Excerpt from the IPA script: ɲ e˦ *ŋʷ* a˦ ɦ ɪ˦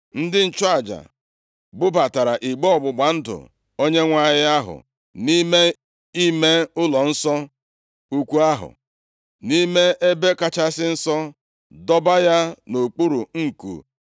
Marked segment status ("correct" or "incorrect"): correct